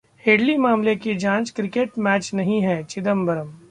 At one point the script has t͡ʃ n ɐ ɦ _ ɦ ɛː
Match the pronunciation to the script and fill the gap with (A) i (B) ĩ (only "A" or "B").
B